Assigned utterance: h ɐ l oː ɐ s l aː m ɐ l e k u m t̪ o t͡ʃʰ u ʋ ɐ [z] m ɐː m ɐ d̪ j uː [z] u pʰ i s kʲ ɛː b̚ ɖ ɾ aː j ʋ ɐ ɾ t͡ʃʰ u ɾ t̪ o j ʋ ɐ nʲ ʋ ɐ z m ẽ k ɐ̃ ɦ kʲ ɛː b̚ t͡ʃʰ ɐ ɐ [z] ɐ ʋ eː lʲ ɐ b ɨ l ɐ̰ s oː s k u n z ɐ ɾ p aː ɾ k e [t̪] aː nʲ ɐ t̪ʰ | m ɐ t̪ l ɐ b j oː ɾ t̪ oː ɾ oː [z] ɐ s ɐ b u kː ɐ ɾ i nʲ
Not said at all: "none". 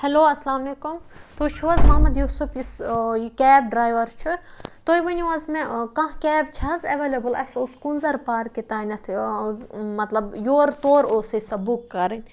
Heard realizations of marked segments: z, s, z, t̪, s

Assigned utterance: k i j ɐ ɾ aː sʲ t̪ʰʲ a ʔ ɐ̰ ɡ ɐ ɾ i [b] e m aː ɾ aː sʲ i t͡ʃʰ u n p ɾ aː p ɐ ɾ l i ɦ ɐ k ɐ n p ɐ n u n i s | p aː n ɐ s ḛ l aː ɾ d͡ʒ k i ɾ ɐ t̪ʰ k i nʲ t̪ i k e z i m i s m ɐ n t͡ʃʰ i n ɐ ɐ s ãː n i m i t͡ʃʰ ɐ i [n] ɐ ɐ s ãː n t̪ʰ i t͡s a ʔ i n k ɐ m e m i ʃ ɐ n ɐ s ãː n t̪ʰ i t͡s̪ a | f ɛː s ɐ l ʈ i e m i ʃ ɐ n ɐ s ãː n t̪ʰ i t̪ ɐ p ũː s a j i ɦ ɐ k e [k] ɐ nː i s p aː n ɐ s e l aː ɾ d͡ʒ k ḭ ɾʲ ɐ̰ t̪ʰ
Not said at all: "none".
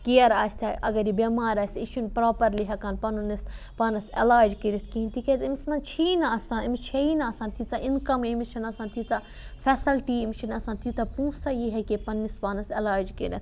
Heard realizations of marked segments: b, n, p

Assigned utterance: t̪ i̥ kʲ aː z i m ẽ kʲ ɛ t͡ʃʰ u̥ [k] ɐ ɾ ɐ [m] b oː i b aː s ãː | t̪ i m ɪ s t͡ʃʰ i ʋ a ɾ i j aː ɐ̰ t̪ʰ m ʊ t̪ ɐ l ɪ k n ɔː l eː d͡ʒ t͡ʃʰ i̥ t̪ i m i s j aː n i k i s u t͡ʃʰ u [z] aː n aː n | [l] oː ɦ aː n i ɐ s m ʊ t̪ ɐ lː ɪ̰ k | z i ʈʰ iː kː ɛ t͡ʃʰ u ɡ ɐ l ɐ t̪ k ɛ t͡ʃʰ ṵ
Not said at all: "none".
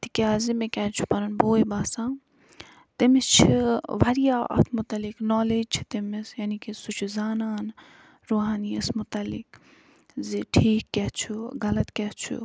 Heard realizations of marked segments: p, n, z, ɾ

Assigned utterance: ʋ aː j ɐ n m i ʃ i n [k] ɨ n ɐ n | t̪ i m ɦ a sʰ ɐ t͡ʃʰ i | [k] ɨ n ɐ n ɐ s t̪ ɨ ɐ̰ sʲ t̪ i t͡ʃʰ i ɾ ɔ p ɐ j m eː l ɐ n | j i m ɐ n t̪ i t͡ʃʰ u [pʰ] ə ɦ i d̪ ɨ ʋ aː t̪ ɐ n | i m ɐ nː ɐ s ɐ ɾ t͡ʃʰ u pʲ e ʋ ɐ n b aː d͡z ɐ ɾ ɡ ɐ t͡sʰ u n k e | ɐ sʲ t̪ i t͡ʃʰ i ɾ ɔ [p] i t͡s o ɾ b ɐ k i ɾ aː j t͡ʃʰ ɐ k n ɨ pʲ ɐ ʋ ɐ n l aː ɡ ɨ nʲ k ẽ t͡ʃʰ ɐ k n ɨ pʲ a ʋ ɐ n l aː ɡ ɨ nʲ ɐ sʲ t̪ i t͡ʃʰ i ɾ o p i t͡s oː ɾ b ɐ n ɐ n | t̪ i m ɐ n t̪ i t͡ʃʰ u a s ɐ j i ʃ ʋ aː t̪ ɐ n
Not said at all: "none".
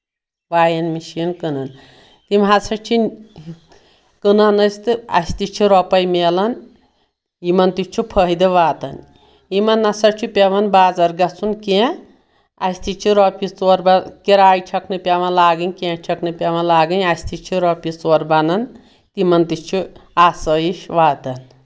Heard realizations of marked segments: k, k, pʰ, p

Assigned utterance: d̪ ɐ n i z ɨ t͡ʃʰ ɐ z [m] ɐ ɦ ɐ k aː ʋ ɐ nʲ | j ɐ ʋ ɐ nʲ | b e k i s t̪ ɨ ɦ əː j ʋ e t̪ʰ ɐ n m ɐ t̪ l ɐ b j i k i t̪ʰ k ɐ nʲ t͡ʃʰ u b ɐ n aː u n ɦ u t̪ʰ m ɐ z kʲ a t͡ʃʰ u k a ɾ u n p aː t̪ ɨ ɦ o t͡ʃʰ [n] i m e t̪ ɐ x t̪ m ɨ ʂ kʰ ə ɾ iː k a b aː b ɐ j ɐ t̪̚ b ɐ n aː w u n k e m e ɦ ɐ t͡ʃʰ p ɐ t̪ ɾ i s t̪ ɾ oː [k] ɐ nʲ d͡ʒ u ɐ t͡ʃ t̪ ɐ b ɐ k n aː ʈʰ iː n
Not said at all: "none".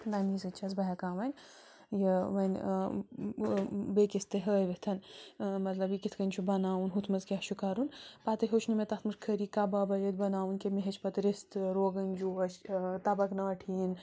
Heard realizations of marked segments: b, n, ɡ

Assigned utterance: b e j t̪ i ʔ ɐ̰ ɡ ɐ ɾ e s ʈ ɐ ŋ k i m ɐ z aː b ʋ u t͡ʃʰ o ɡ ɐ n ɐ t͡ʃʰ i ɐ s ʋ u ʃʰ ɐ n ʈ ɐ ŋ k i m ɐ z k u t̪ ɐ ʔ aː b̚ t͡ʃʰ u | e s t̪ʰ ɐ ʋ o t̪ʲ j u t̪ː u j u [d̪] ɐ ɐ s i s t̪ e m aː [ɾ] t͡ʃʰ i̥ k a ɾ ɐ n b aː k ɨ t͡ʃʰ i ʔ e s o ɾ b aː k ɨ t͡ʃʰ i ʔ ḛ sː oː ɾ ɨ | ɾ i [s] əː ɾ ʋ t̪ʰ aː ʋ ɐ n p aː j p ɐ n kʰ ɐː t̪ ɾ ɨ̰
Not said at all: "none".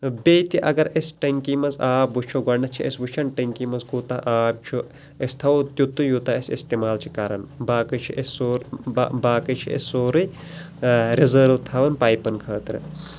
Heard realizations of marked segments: t̪, l, z

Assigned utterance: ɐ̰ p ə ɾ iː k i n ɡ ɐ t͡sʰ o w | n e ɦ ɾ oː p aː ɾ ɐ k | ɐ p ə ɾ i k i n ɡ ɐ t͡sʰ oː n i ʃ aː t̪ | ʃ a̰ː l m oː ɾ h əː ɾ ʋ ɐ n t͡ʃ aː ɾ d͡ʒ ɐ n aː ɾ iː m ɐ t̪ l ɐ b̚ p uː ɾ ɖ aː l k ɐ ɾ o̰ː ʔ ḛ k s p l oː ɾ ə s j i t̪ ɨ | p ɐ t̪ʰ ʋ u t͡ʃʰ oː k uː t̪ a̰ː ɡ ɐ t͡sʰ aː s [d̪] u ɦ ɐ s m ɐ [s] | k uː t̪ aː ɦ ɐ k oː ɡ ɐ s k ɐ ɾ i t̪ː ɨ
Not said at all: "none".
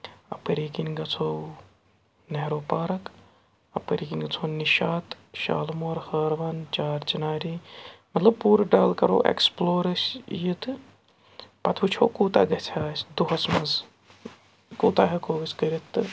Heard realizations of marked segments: d̪, z

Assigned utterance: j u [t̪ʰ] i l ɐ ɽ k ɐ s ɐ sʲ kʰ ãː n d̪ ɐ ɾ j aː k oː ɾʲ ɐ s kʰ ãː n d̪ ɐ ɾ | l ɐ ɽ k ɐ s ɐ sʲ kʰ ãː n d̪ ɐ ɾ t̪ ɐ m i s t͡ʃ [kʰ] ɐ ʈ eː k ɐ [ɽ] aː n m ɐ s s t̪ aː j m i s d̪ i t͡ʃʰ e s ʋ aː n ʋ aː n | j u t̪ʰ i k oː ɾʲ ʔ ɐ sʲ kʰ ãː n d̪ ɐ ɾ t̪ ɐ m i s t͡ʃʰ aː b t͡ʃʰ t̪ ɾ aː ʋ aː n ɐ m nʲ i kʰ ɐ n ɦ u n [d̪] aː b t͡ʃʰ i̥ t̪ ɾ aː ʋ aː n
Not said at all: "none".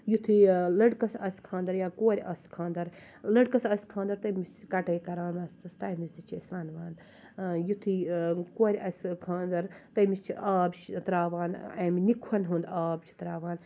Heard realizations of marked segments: t̪ʰ, k, ɾ, d̪

